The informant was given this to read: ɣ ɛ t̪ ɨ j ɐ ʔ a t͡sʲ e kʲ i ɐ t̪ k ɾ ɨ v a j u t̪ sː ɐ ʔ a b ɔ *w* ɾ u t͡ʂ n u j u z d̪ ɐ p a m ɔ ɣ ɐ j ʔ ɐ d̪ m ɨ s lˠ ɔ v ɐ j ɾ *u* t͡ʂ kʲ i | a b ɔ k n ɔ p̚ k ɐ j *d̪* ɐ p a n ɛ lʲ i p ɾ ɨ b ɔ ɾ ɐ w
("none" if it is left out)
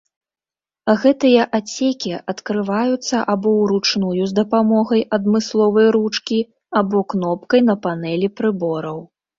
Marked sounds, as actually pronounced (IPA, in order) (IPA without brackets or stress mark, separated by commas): w, u, n̪